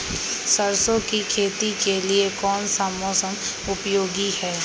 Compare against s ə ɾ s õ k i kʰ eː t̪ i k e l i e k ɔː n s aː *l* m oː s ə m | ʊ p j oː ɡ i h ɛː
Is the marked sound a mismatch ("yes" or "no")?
yes